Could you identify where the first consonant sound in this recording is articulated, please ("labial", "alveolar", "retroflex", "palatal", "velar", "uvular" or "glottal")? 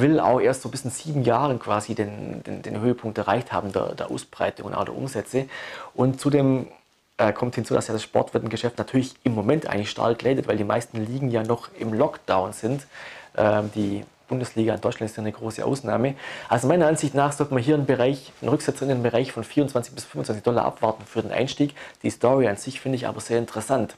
labial